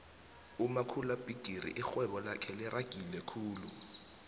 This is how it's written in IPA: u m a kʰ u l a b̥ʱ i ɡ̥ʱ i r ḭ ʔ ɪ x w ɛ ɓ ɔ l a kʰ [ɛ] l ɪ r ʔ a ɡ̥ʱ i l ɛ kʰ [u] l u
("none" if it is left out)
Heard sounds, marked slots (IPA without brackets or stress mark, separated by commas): ɛ, uː